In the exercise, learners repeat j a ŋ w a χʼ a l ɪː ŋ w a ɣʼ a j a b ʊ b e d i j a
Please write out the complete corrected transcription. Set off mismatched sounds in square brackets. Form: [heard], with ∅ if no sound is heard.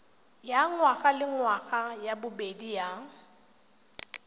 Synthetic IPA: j a ŋ w a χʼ a l [ɪ] ŋ w a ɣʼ a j a b ʊ b e d i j a